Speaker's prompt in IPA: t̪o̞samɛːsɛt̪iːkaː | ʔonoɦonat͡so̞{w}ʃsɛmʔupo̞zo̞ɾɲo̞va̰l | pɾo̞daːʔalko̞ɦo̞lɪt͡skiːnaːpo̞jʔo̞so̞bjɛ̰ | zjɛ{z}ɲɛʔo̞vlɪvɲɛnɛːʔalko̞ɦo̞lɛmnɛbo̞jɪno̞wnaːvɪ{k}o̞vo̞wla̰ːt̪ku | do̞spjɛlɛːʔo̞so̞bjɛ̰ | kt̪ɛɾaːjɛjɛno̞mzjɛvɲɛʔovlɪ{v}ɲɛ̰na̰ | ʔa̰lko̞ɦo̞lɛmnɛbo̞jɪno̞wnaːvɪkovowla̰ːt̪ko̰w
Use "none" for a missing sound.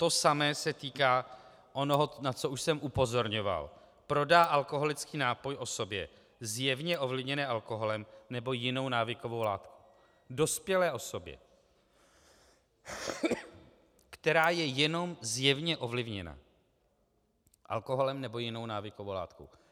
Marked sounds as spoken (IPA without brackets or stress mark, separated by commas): u, v, k, v